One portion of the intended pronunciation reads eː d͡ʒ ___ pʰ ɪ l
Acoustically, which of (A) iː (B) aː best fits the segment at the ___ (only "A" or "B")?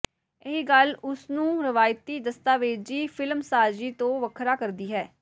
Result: A